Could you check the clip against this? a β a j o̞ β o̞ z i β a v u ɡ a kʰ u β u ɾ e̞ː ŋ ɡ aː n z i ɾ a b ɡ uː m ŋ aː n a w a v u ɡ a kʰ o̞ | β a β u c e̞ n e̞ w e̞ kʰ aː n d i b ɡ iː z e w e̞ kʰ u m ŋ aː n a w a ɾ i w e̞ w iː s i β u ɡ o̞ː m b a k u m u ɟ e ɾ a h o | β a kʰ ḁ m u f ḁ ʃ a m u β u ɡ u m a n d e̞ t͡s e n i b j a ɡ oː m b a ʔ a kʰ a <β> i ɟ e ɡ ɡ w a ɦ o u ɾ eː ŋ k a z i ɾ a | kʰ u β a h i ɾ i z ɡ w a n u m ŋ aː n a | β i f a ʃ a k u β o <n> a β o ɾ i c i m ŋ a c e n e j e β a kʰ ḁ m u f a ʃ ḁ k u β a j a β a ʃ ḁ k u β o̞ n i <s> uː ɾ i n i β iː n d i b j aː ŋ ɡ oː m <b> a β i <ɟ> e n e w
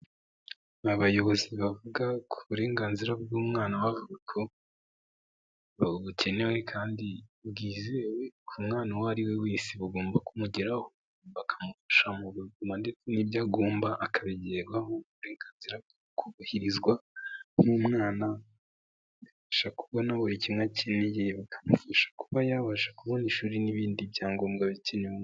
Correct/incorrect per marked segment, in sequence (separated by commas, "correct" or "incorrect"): correct, correct, incorrect, incorrect, incorrect